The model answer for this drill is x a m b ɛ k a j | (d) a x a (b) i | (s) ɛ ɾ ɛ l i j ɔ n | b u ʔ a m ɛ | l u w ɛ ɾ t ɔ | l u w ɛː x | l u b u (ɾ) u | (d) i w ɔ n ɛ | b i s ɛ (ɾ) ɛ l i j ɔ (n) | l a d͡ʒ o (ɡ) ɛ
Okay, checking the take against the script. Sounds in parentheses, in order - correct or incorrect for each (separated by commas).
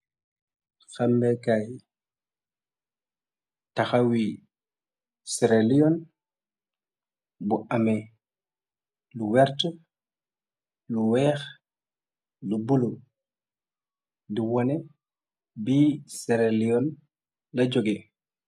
incorrect, incorrect, correct, incorrect, correct, correct, correct, correct